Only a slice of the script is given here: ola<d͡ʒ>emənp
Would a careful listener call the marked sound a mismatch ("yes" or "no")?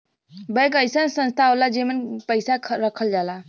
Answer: no